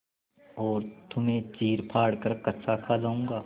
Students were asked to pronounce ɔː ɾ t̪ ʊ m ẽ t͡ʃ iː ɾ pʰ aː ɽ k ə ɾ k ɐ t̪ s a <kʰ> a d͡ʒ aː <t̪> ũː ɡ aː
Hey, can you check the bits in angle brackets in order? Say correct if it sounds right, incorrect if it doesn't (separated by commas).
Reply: correct, incorrect